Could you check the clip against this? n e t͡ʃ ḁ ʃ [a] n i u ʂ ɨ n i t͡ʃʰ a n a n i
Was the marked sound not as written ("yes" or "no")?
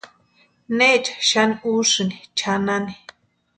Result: no